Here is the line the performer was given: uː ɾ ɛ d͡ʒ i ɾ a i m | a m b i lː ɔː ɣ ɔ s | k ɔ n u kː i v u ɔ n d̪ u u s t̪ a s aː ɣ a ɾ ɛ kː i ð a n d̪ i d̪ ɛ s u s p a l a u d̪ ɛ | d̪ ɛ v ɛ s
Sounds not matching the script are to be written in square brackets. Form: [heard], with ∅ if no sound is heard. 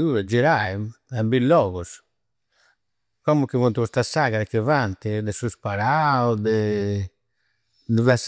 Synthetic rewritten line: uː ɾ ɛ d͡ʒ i ɾ a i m | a m b i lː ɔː ɣ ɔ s | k ɔ [m] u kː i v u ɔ n [t̪] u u s t̪ a s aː ɣ a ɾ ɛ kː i [v] a n [t̪] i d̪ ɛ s u s p a [ɾ] a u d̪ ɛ | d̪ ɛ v ɛ s